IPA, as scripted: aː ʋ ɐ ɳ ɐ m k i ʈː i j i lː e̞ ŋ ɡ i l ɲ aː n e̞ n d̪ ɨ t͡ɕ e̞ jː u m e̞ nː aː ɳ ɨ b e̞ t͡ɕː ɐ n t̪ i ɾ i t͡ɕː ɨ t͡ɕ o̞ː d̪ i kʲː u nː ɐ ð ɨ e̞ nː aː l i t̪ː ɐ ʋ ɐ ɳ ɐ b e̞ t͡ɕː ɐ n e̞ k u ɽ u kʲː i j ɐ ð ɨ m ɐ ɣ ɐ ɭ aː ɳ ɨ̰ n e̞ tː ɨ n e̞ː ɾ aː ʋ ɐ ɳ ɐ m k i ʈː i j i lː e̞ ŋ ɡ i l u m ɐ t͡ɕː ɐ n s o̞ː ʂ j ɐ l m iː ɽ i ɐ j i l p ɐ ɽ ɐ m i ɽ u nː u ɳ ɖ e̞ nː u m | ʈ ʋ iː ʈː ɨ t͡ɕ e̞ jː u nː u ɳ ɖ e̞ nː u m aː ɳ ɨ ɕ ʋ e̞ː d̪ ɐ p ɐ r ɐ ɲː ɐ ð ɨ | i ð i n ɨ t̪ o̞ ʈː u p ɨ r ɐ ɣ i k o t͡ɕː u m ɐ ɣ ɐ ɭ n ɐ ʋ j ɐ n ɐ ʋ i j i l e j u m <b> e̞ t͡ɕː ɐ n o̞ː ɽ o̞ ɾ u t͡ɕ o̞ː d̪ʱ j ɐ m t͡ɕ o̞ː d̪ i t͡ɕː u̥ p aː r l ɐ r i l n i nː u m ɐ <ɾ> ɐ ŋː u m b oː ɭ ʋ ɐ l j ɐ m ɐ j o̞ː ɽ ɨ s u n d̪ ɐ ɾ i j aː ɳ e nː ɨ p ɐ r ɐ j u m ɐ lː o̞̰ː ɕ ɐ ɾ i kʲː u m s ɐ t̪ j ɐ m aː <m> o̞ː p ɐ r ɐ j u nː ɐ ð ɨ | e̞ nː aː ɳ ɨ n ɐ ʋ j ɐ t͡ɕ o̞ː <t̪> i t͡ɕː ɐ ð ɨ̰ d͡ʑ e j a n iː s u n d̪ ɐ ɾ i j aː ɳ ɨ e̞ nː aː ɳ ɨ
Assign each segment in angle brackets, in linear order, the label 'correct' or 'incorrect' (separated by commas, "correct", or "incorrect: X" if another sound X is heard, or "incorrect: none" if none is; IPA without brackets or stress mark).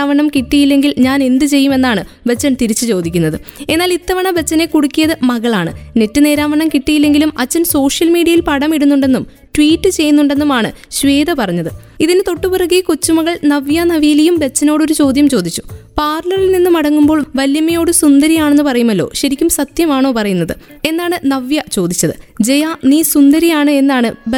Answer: correct, incorrect: ɽ, incorrect: ɳ, incorrect: d̪